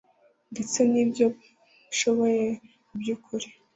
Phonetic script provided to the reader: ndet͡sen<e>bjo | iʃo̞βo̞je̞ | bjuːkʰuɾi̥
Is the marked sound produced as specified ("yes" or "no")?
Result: no